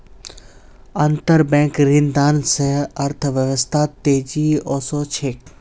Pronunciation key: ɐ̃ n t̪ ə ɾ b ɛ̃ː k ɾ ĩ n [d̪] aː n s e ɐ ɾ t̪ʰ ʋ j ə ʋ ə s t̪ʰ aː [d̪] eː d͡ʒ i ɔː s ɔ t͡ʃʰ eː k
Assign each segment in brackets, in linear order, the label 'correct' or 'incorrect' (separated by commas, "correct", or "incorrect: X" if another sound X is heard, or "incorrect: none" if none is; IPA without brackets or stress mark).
correct, incorrect: t̪